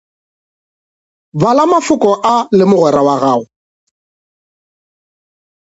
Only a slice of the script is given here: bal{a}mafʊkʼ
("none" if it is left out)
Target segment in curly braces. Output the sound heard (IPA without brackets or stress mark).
a